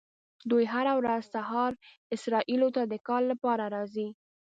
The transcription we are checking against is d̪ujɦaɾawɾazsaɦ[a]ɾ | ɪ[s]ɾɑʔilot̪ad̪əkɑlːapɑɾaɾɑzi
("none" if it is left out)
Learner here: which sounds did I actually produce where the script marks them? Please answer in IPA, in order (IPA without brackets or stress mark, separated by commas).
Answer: ɑ, s